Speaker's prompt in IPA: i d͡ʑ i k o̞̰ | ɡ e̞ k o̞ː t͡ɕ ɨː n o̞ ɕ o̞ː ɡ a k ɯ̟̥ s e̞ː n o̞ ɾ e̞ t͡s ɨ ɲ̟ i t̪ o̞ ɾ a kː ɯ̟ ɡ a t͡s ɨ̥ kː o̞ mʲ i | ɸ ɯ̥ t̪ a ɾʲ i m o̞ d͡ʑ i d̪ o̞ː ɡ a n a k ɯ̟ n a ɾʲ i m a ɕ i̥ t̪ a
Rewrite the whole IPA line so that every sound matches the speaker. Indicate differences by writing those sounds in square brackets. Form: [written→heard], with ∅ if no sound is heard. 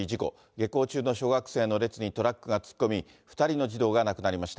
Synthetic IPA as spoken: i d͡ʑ i k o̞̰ | ɡ e̞ k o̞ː t͡ɕ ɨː n o̞ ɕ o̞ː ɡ a k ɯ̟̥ s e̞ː n o̞ ɾ e̞ t͡s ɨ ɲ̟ i t̪ o̞ ɾ a kː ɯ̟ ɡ a t͡s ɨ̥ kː o̞ mʲ i | ɸ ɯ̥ t̪ a ɾʲ i [m→n] o̞ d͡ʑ i d̪ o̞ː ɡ a n a k ɯ̟ n a ɾʲ i m a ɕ i̥ t̪ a